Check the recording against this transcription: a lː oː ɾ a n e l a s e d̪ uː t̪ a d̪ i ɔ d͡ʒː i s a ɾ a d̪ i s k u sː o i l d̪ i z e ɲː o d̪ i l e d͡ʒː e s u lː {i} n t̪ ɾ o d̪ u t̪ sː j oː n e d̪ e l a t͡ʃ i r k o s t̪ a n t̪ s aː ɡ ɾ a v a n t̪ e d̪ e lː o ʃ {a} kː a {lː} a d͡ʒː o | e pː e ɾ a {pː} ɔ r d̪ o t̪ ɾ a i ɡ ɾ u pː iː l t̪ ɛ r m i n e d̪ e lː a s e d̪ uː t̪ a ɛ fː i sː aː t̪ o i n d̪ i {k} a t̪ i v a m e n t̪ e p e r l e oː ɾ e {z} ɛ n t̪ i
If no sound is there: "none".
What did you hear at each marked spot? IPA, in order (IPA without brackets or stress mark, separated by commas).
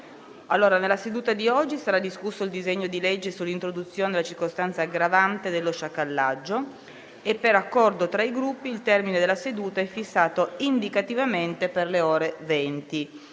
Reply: i, a, lː, kː, k, v